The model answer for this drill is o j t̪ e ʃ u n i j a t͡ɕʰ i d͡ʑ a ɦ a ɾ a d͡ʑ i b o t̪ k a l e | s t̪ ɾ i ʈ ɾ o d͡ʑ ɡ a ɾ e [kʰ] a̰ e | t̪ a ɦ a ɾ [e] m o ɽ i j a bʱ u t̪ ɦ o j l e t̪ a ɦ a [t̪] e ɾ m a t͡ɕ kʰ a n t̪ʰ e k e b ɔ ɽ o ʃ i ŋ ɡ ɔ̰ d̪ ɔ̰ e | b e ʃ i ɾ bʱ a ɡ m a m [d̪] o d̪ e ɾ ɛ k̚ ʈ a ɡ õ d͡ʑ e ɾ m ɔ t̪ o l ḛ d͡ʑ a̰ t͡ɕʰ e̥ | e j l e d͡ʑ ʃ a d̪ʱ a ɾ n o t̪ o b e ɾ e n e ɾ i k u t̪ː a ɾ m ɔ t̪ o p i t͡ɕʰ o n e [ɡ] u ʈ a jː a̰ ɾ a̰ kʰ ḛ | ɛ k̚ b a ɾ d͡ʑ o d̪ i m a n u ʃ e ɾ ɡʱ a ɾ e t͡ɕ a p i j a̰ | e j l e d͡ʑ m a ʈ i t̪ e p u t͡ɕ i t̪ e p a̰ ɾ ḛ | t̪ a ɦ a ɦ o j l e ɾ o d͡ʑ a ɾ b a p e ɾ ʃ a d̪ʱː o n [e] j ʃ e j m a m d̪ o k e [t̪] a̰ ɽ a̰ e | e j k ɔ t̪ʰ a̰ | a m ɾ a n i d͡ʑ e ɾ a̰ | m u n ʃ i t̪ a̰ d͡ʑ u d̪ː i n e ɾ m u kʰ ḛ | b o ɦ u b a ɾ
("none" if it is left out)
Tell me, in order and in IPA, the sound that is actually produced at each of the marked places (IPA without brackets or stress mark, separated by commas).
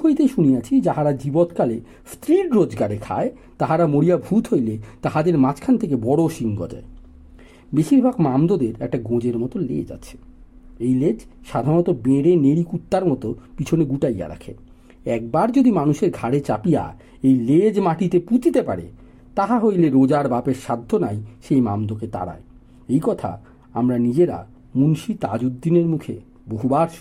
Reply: kʰ, a, d̪, d̪, ɡ, a, t̪